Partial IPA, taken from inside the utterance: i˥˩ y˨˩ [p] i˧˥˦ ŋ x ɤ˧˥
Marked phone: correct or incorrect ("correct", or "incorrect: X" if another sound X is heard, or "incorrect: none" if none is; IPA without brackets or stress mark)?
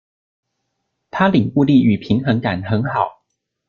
incorrect: pʰ